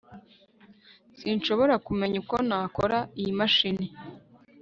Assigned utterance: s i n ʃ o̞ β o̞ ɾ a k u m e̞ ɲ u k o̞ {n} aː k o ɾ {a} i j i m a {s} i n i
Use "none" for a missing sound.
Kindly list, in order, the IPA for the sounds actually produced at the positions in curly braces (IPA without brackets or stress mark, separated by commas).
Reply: n, a, ʃ